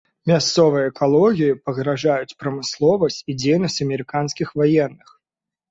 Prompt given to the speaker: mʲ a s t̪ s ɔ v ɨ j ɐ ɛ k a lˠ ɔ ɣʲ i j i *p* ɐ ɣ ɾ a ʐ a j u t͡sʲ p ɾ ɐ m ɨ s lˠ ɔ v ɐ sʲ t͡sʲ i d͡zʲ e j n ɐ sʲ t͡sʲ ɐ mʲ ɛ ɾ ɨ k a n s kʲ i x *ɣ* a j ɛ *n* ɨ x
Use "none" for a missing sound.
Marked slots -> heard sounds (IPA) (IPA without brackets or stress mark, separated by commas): p, v, nː